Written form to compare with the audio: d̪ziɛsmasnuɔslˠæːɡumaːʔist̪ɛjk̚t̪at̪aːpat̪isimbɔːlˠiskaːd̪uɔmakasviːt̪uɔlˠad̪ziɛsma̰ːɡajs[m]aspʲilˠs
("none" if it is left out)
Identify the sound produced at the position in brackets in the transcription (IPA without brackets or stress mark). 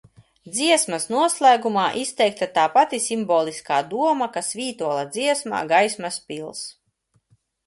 m